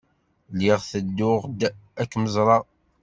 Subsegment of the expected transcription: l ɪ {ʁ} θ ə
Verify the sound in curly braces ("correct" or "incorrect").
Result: correct